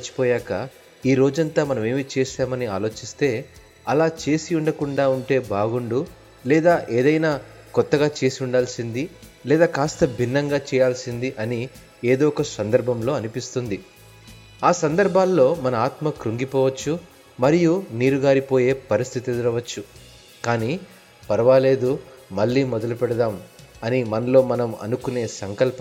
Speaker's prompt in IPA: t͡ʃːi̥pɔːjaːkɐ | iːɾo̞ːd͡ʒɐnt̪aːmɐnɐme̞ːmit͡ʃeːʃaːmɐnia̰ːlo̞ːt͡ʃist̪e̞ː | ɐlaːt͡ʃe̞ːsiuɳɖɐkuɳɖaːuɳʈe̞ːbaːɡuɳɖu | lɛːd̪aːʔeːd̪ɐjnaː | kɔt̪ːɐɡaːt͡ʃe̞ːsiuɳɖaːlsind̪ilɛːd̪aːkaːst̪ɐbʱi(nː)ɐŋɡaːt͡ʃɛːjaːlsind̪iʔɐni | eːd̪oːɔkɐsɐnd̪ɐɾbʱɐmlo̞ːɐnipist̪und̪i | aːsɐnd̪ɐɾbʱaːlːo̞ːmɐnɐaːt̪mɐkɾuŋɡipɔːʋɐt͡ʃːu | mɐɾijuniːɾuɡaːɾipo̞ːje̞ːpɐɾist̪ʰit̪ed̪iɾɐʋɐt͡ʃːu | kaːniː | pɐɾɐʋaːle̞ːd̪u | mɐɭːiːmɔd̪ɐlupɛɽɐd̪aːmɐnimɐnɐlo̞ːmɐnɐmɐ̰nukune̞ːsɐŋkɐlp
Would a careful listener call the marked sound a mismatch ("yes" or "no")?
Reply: no